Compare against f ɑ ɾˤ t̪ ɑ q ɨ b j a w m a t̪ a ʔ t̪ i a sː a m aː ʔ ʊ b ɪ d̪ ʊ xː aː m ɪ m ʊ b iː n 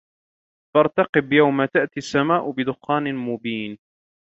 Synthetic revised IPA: f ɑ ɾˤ t̪ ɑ q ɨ b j a w m a t̪ a ʔ t̪ i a sː a m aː ʔ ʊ b ɪ d̪ ʊ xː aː n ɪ m ʊ b iː n